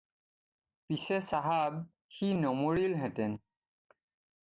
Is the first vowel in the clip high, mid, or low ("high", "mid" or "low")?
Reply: high